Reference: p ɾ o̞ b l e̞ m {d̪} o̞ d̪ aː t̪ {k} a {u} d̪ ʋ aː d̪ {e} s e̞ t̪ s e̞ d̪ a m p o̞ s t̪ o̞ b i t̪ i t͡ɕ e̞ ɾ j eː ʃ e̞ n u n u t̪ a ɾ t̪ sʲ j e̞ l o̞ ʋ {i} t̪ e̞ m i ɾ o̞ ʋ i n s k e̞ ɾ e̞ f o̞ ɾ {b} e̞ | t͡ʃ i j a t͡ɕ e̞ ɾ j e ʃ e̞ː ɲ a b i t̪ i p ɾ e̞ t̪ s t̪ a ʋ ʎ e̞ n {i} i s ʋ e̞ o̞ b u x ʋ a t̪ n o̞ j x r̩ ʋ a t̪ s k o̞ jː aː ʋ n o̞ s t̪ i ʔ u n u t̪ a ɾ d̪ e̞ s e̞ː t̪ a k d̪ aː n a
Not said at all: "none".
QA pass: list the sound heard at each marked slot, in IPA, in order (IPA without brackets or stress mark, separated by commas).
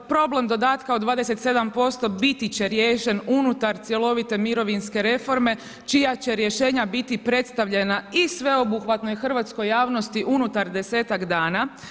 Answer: d̪, k, o, e, i, m, a